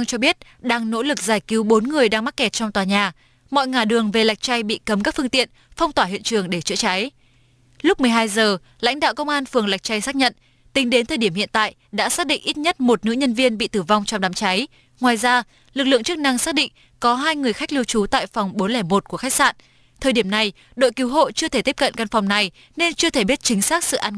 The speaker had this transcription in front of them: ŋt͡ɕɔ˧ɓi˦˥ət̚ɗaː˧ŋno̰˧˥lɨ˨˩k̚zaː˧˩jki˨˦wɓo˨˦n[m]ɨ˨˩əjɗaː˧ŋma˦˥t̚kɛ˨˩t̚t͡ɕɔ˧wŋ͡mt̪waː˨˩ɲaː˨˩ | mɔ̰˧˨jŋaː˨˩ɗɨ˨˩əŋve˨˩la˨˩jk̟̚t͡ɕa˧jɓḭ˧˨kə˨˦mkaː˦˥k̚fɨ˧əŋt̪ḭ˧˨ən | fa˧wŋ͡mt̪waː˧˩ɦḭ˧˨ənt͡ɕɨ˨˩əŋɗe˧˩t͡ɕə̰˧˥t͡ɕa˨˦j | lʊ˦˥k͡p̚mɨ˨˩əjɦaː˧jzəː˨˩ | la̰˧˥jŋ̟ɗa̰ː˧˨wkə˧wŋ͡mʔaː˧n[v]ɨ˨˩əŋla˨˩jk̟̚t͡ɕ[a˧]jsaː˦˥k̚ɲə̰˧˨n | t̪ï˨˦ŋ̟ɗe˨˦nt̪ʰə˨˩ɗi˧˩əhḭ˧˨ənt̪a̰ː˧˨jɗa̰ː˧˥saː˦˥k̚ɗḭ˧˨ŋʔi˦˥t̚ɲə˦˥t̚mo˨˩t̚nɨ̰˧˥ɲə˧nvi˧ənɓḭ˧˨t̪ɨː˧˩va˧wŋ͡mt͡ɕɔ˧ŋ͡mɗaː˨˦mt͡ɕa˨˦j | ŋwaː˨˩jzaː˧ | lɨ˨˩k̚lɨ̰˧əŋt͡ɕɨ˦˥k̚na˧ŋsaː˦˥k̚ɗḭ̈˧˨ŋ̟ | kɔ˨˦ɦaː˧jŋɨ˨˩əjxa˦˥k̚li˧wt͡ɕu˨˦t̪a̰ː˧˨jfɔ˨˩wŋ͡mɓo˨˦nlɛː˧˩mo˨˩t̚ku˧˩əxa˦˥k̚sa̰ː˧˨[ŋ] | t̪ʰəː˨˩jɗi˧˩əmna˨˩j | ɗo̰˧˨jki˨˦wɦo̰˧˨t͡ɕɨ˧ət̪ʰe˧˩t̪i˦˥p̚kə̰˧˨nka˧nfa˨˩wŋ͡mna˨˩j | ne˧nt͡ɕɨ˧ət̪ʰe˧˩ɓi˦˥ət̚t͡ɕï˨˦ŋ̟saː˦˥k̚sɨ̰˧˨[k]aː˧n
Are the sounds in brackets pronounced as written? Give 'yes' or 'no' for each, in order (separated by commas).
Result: no, no, yes, no, no